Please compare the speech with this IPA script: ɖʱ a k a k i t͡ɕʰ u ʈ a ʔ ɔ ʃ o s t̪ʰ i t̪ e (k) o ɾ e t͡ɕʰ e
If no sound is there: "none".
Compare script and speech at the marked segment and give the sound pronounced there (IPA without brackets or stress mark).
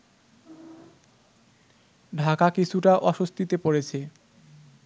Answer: p